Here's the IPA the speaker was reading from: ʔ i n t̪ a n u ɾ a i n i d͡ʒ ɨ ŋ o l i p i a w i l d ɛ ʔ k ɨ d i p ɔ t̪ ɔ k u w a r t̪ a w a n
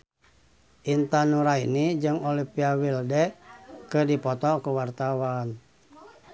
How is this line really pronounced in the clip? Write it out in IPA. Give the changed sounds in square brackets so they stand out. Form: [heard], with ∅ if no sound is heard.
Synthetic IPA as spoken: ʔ i n t̪ a n u ɾ a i n i d͡ʒ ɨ ŋ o l i p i a w i l d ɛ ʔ k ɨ d i p ɔ t̪ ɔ k u w a r t̪ a w a n